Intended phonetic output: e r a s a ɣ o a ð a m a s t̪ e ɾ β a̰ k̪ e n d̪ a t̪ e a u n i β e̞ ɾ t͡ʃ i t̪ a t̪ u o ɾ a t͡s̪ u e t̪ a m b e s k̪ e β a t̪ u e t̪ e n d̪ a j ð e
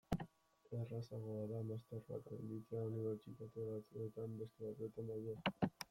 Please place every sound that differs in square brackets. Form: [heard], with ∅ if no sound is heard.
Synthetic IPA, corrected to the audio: e r a s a ɣ o a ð a m a s t̪ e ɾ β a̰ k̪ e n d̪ [i] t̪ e a u n i β e̞ ɾ t͡ʃ i t̪ a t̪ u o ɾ a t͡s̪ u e t̪ a m b e s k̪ e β a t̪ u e t̪ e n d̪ a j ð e